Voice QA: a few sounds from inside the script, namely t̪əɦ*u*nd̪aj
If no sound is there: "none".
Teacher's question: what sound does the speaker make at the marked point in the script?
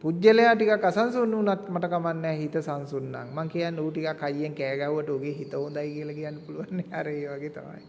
u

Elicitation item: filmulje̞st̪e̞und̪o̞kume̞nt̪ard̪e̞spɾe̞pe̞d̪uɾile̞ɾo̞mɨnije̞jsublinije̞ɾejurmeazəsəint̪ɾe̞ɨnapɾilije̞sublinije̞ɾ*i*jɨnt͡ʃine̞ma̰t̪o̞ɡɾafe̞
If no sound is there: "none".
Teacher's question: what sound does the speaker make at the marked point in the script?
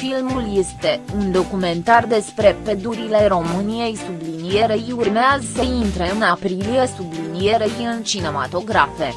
e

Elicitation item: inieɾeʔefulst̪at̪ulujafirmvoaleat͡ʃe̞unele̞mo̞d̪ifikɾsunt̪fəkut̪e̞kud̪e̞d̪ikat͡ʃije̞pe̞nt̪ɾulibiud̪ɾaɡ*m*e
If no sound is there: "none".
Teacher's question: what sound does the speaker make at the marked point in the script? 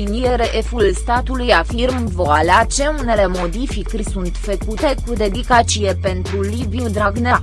n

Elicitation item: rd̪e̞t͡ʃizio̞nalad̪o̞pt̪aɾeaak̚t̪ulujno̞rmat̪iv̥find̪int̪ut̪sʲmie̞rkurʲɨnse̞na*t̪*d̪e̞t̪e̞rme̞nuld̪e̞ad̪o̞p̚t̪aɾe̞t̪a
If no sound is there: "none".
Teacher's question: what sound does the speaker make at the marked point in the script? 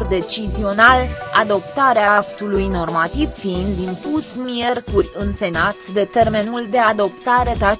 t̪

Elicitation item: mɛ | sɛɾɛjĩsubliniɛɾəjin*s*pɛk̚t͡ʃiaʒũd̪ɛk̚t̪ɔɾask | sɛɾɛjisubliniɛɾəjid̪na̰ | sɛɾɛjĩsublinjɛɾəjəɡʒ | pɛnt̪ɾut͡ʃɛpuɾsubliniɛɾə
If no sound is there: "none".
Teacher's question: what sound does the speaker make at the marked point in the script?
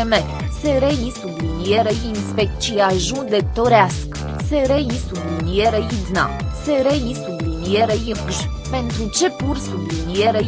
s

